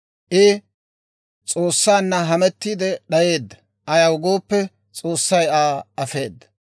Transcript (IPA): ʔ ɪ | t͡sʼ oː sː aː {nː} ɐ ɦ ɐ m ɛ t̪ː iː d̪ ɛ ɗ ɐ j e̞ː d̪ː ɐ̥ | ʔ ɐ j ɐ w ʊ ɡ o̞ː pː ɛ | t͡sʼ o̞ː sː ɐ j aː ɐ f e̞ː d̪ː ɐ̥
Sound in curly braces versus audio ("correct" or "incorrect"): correct